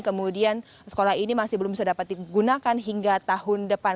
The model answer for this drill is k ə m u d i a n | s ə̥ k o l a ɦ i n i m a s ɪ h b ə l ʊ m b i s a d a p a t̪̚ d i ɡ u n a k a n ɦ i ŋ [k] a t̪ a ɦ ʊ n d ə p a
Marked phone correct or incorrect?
incorrect